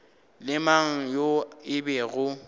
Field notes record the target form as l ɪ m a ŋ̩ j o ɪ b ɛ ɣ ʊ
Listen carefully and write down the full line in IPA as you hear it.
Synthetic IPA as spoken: l ɪ m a ŋ̩ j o ɪ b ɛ ɣ ʊ